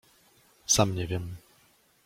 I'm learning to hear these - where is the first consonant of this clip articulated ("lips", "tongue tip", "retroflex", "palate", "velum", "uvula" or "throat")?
tongue tip